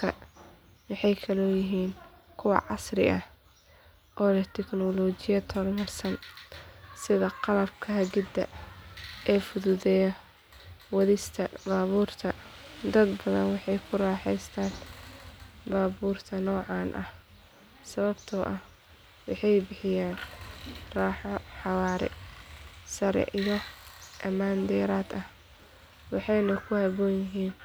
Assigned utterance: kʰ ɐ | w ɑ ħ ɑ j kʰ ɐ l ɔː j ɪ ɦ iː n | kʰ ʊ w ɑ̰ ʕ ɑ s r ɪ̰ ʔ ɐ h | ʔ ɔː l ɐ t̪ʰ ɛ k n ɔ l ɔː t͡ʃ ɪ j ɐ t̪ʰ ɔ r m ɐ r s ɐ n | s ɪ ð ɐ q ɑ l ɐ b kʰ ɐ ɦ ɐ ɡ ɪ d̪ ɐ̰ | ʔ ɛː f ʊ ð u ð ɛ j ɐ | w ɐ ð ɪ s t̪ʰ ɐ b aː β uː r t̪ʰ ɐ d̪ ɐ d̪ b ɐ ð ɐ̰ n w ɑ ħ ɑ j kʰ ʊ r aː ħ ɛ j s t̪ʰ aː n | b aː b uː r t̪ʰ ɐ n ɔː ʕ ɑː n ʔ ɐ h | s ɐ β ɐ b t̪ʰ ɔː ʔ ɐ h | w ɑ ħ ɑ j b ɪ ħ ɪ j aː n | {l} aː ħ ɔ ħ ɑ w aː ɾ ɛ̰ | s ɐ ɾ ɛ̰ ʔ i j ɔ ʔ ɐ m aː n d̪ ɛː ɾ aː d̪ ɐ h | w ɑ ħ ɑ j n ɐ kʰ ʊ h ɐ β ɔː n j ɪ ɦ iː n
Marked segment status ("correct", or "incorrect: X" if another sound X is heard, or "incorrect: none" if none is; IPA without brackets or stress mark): incorrect: r